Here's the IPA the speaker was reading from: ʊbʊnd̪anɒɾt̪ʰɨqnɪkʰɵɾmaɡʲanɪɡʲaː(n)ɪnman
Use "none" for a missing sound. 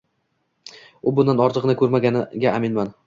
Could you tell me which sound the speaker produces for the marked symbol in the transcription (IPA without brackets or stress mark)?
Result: m